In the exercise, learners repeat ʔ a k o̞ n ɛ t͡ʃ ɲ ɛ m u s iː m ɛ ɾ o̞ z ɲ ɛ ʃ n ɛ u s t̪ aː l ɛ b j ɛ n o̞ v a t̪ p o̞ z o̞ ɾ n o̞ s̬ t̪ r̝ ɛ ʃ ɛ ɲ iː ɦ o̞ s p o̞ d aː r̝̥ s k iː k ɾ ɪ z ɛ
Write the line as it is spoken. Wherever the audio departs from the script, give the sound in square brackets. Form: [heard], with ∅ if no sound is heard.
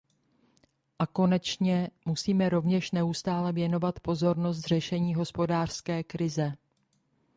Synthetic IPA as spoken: ʔ a k o̞ n ɛ t͡ʃ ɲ ɛ m u s iː m ɛ ɾ o̞ [v] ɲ ɛ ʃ n ɛ u s t̪ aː l ɛ [v] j ɛ n o̞ v a t̪ p o̞ z o̞ ɾ n o̞ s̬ t̪ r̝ ɛ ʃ ɛ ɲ iː ɦ o̞ s p o̞ d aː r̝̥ s k [ɛː] k ɾ ɪ z ɛ